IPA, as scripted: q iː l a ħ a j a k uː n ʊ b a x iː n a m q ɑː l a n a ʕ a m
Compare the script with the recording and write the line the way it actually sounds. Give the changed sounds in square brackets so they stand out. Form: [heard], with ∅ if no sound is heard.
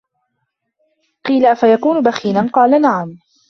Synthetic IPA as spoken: q iː l a [f] a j a k uː n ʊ b a x iː n a [n] q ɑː l a n a ʕ a m